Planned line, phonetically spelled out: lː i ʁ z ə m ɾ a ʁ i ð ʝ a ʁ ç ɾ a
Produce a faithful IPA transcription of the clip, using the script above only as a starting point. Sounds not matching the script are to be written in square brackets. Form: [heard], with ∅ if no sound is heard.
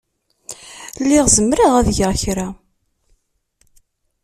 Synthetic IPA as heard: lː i ʁ z ə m ɾ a ʁ [æ] ð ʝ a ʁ ç ɾ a